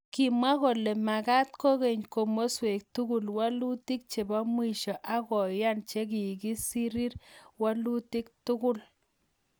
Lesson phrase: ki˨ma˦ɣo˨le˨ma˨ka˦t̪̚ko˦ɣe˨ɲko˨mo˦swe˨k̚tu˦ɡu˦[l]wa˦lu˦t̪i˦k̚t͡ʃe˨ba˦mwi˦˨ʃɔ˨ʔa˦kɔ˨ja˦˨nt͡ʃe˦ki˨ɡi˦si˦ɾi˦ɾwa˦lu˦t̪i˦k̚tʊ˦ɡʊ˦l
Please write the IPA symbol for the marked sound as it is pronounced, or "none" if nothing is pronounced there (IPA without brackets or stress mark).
l